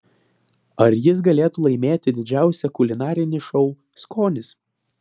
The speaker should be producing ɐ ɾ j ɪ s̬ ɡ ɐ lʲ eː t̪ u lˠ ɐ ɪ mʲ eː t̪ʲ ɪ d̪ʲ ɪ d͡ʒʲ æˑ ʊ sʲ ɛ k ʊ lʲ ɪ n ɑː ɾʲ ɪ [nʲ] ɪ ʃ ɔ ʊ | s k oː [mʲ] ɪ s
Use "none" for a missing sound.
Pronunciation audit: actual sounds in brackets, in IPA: nʲ, nʲ

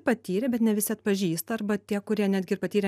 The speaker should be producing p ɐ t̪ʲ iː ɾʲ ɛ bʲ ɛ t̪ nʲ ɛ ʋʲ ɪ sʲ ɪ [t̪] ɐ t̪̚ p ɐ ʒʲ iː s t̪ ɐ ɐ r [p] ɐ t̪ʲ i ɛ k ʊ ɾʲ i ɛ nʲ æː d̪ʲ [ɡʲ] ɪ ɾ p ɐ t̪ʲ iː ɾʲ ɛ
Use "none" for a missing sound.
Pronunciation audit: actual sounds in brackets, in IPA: none, b, ɡʲ

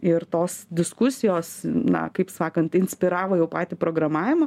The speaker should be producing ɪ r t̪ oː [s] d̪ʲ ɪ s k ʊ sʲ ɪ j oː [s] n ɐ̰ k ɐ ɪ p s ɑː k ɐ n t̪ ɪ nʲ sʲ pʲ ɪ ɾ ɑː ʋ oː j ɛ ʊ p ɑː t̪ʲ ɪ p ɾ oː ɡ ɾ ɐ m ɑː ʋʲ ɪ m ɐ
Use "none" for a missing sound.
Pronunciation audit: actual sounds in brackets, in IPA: s, s

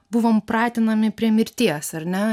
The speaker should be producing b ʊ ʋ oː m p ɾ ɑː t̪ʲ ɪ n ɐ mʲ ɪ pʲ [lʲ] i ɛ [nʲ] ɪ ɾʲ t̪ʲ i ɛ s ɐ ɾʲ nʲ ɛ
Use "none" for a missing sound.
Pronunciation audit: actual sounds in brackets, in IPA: ɾʲ, mʲ

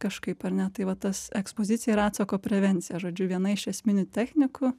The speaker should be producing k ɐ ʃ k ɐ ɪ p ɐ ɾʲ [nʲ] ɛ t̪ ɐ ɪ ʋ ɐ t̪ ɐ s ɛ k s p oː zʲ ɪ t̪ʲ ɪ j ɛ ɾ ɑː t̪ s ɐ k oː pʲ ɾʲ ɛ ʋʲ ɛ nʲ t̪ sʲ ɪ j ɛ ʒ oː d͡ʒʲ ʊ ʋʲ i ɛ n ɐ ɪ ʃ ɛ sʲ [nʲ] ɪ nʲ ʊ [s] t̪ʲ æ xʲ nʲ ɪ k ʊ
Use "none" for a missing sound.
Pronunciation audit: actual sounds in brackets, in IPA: nʲ, mʲ, none

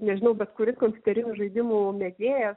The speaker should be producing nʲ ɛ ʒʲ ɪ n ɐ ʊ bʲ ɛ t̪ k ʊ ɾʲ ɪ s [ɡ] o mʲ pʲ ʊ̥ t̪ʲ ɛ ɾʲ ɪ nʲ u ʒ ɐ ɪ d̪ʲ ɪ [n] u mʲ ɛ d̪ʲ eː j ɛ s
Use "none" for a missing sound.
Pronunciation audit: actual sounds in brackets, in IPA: k, m

